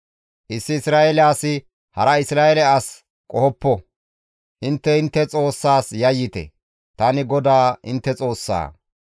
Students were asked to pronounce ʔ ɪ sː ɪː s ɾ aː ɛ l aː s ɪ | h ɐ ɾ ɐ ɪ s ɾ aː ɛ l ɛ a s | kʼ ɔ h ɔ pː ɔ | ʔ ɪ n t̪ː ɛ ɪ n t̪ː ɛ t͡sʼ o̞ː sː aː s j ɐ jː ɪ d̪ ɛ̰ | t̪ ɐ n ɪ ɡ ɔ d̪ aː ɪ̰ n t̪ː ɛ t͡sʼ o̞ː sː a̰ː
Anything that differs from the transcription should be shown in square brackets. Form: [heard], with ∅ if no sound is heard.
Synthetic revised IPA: ʔ ɪ sː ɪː s ɾ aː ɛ l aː s ɪ | h ɐ ɾ ɐ ɪ s ɾ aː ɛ l ɛ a s | kʼ ɔ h ɔ pː ɔ | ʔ ɪ n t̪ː ɛ ɪ n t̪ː ɛ t͡sʼ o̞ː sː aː s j ɐ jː ɪ [t̪] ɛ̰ | t̪ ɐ n ɪ ɡ ɔ d̪ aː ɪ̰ n t̪ː ɛ t͡sʼ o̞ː sː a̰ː